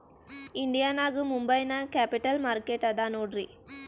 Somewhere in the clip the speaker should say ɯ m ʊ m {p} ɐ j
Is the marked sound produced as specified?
no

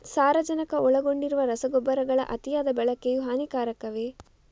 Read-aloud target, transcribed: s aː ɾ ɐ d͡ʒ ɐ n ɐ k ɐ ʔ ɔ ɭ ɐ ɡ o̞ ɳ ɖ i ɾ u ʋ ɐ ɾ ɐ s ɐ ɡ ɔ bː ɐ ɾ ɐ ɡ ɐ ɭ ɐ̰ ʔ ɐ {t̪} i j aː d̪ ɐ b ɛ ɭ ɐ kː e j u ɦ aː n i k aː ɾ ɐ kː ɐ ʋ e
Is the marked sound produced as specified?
yes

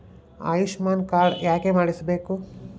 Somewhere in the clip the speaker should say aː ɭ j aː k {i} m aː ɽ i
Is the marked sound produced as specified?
no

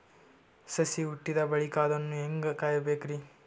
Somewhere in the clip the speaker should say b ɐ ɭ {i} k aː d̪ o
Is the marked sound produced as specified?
yes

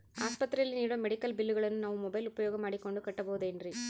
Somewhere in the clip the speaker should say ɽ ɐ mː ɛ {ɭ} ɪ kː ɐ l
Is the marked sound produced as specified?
no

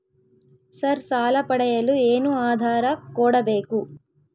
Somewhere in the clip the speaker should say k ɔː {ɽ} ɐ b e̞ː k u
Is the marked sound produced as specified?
yes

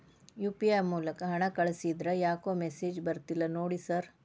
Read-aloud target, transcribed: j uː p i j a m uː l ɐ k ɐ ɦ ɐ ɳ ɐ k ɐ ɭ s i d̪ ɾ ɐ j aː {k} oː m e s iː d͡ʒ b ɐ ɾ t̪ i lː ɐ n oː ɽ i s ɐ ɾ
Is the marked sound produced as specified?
yes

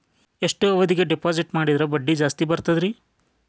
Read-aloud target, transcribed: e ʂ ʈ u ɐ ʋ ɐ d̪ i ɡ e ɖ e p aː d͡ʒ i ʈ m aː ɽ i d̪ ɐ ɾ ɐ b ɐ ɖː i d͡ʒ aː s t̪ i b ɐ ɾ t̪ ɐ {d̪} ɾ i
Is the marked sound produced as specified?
yes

